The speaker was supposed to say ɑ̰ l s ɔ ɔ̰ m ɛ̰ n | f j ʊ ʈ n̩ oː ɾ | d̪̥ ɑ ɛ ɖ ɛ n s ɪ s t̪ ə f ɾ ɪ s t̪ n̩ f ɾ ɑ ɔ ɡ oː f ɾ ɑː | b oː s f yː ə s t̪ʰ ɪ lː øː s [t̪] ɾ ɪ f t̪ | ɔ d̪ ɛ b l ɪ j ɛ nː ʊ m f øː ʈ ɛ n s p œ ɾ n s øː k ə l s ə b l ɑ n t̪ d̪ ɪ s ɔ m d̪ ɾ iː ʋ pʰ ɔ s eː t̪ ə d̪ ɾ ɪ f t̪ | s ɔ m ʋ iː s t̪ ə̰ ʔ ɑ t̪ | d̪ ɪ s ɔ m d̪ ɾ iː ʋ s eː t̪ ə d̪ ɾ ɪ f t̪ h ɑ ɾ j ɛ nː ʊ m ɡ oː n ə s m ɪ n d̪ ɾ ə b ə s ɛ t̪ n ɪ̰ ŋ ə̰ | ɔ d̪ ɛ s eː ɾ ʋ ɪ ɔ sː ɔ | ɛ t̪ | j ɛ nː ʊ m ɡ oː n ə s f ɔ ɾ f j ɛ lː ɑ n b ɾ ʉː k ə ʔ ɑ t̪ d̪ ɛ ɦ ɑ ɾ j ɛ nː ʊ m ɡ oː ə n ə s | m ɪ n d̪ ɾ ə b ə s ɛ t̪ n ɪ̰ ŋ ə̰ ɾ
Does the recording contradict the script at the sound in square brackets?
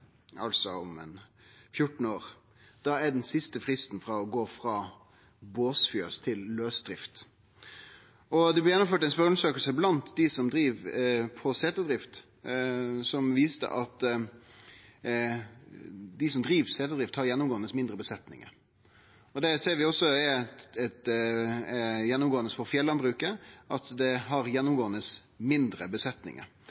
yes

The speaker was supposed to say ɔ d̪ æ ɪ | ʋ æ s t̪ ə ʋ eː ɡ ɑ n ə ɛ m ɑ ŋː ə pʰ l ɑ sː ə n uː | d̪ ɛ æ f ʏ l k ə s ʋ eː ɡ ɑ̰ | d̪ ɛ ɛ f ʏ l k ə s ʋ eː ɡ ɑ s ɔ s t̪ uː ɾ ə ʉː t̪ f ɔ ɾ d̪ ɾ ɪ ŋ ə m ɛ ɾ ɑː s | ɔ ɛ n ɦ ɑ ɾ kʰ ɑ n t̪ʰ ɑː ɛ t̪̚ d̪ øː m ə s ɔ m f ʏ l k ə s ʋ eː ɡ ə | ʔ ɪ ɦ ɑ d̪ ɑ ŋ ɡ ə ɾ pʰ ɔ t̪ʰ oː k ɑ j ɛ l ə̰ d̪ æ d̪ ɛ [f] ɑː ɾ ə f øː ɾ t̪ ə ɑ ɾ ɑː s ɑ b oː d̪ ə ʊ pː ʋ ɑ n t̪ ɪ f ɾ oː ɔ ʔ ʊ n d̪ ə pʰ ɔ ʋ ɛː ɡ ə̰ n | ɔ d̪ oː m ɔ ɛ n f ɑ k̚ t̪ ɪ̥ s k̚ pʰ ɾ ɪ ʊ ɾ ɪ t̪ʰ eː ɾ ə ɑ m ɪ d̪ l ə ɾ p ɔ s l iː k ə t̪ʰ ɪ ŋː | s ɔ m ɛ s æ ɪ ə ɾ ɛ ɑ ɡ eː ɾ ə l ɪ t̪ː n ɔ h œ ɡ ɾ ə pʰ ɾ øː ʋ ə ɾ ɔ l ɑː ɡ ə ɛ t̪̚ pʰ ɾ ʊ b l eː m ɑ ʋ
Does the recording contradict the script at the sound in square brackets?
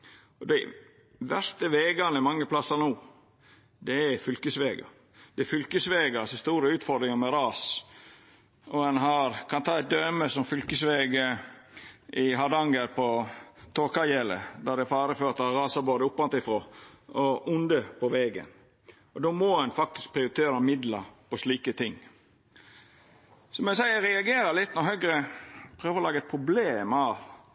no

